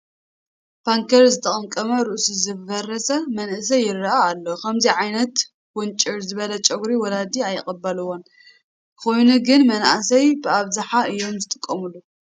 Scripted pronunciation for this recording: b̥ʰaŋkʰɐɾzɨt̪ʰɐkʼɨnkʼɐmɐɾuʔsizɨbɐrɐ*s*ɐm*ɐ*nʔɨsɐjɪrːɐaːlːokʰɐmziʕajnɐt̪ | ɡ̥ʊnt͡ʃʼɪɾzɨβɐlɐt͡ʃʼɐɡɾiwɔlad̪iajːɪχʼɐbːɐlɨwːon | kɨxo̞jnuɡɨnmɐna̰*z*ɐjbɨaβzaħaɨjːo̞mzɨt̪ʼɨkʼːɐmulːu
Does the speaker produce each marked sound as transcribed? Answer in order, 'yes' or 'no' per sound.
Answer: yes, yes, no

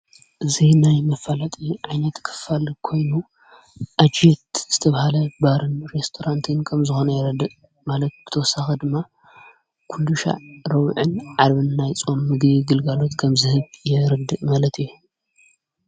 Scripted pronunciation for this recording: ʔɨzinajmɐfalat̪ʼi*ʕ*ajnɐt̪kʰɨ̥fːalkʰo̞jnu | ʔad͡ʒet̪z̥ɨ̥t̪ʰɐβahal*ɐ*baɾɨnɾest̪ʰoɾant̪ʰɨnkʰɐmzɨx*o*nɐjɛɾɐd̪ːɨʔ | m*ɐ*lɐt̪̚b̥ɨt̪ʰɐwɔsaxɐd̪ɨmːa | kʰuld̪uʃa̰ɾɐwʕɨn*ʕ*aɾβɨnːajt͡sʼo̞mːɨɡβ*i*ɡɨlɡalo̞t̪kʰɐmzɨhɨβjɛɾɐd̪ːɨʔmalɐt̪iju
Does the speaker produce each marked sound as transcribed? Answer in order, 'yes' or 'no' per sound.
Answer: yes, yes, yes, no, yes, yes

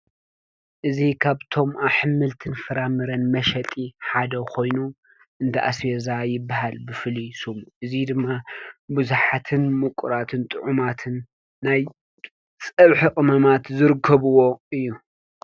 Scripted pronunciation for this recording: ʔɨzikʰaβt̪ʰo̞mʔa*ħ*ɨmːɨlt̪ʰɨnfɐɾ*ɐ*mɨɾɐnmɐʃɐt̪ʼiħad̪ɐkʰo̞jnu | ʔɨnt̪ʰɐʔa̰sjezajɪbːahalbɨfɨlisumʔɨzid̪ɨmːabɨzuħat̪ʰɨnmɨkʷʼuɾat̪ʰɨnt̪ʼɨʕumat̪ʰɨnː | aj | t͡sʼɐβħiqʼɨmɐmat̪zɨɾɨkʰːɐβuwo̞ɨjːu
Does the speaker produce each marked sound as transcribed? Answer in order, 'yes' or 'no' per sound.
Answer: yes, no

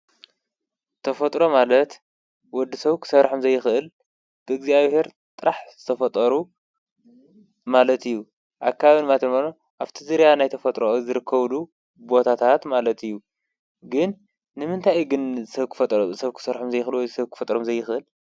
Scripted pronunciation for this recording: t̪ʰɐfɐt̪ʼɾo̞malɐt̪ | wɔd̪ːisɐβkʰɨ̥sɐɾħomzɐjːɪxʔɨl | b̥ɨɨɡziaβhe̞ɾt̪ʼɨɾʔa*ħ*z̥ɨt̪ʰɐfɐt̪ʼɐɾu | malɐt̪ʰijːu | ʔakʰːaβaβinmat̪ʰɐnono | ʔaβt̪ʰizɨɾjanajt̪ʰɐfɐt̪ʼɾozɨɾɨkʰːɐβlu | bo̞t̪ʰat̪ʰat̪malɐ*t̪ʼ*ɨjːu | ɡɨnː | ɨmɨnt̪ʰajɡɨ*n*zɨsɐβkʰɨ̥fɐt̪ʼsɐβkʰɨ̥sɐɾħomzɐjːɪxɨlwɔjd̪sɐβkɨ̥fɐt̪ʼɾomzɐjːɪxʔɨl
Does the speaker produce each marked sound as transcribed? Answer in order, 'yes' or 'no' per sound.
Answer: yes, no, yes

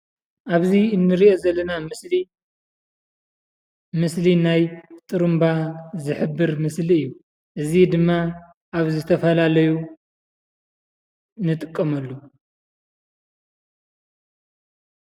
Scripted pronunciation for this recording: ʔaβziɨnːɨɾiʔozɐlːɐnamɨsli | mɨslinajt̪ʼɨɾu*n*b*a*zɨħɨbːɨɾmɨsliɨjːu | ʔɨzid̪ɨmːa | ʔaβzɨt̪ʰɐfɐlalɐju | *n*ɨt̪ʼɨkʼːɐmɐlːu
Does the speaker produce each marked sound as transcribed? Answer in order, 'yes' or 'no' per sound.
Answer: no, yes, yes

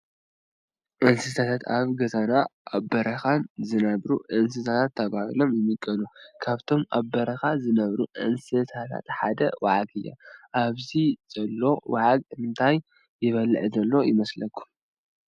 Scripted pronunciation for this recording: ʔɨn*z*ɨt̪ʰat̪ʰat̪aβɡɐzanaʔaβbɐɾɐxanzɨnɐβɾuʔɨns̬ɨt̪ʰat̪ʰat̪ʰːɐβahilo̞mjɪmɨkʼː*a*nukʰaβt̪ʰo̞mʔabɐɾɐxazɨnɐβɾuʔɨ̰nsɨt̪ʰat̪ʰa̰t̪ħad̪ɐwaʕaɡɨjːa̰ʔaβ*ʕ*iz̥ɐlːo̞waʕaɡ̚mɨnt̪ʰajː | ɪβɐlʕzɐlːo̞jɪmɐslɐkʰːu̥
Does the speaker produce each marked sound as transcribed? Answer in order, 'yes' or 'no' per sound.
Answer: no, no, no

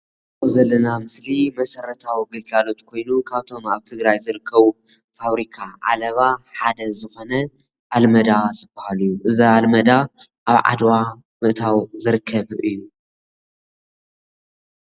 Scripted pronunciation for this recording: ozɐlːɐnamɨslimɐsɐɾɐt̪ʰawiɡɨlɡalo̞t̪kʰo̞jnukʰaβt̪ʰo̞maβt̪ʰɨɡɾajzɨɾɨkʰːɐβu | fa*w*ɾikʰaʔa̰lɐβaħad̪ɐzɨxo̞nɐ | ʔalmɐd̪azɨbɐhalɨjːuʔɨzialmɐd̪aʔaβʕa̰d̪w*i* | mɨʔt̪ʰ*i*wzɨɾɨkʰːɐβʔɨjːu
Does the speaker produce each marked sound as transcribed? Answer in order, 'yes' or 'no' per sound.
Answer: no, no, no

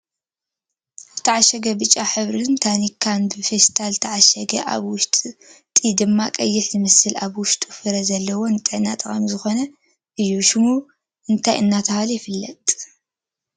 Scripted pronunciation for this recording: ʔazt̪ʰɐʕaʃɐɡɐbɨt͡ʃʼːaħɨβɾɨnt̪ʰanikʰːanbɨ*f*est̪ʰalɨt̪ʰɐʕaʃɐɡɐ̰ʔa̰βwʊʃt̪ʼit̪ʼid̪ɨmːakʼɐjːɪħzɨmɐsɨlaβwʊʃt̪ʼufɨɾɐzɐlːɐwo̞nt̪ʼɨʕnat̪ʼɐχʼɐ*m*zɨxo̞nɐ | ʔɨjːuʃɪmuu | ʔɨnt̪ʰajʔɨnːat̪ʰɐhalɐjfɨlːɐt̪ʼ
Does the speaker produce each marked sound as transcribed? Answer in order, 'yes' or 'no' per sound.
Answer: yes, yes

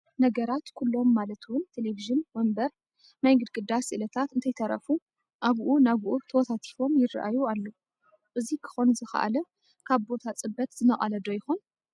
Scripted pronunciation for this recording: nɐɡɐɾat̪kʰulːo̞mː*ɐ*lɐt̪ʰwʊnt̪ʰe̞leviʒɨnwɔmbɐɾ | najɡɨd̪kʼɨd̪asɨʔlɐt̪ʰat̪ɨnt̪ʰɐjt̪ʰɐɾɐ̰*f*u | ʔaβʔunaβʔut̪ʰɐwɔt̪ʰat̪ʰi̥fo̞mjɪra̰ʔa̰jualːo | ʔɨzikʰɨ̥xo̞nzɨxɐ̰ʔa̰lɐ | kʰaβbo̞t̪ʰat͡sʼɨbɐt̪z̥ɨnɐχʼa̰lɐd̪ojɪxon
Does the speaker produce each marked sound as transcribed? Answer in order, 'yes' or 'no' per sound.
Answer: no, yes

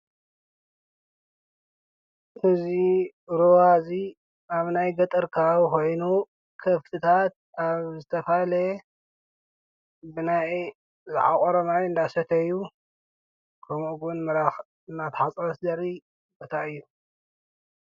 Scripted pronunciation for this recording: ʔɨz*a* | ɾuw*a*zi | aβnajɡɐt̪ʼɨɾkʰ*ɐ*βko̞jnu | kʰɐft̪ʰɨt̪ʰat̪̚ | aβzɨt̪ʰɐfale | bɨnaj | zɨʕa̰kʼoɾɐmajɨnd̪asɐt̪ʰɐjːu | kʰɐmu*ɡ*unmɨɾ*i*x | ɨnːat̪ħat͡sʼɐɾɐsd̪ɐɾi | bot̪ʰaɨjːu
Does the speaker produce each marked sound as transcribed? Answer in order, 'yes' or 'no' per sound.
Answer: no, yes, no, yes, no

